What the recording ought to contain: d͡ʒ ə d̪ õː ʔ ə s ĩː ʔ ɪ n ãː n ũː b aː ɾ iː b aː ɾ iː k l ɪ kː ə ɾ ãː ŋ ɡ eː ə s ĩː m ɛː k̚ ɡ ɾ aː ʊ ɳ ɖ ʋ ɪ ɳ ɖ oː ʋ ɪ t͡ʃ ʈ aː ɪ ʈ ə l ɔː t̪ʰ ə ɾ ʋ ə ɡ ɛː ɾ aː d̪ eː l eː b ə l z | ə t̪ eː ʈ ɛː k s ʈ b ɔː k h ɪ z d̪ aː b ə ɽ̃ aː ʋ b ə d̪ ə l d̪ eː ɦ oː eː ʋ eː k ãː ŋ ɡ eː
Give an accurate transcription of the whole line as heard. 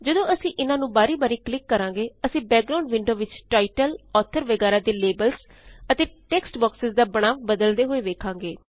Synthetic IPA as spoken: d͡ʒ ə d̪ õː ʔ ə s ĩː ʔ ɪ n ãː n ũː b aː ɾ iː b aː ɾ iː k l ɪ kː ə ɾ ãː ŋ ɡ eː ə s ĩː b ɛː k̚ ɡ ɾ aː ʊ ɳ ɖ ʋ ɪ ɳ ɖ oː ʋ ɪ t͡ʃ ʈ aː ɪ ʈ ə l ɔː t̪ʰ ə ɾ ʋ ə ɡ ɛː ɾ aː d̪ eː l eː b ə l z | ə t̪ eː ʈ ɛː k s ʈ b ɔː k s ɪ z d̪ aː b ə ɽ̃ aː ʋ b ə d̪ ə l d̪ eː ɦ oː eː ʋ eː kʰ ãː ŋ ɡ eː